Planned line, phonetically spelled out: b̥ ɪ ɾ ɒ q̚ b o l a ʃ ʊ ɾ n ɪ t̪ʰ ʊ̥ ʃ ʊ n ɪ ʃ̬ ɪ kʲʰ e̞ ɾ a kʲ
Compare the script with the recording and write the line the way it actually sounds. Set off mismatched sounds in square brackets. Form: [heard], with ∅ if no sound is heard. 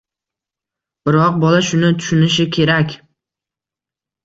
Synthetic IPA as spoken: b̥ ɪ ɾ ɒ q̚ b [ɒ] l a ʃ ʊ [∅] n ɪ t̪ʰ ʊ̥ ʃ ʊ n ɪ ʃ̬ ɪ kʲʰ e̞ ɾ a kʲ